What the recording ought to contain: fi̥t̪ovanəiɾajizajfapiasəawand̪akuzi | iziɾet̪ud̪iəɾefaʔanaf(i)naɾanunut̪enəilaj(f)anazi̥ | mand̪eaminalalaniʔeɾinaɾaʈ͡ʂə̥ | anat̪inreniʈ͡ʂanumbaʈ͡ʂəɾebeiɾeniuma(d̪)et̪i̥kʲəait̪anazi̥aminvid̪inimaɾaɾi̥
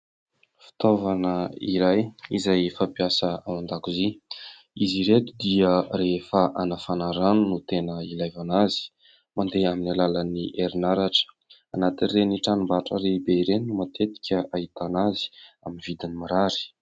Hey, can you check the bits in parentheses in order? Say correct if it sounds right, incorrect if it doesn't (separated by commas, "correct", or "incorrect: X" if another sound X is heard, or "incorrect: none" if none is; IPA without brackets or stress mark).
incorrect: a, incorrect: v, incorrect: t̪